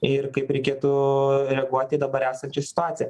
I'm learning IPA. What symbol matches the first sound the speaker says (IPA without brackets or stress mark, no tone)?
ɪ